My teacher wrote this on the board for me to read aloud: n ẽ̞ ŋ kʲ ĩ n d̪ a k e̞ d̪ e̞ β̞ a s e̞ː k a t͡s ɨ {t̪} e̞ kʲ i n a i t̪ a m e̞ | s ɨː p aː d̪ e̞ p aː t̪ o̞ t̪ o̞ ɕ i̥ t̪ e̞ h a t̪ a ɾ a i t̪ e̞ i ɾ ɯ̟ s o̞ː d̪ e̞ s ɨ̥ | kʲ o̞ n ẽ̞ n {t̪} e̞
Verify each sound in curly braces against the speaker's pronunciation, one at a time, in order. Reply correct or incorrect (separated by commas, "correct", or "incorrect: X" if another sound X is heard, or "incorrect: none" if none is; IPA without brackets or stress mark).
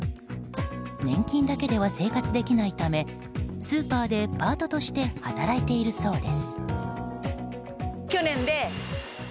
incorrect: d̪, incorrect: d̪